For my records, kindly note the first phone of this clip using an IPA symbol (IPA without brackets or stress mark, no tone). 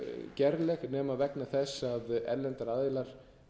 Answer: c